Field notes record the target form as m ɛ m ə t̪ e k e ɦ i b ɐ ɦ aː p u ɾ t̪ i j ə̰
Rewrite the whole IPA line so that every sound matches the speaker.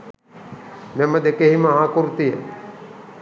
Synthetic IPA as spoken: m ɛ m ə d̪ e k e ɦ i m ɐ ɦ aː k u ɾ t̪ i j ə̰